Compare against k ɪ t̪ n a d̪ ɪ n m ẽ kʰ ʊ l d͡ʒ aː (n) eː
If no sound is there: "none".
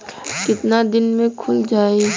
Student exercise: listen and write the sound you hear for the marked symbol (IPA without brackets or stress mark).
none